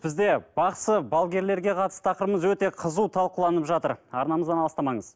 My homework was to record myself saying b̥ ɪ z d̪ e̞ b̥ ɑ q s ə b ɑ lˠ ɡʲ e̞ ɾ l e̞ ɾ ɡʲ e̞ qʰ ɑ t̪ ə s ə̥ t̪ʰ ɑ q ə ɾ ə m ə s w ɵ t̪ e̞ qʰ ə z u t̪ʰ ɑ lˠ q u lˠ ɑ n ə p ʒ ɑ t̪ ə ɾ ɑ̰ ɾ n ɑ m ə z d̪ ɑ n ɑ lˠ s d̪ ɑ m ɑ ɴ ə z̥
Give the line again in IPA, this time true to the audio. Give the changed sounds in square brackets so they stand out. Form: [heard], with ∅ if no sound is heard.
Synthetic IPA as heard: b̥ ɪ z d̪ e̞ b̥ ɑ q s ə b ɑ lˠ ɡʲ e̞ ɾ l e̞ ɾ ɡʲ e̞ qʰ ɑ t̪ ə s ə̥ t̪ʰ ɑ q ə ɾ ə m ə [z] w ɵ t̪ e̞ qʰ ə z u t̪ʰ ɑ lˠ q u lˠ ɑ n ə p ʒ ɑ t̪ ə ɾ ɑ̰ ɾ n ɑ m ə z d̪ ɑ n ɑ lˠ s [t̪] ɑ m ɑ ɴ ə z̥